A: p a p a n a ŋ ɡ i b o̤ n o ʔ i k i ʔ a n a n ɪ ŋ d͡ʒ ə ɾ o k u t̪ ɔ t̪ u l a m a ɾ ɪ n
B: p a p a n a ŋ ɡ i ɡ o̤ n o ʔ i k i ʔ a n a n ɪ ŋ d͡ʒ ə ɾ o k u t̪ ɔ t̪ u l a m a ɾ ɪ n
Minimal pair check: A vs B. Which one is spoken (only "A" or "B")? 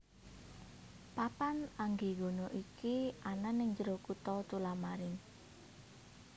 B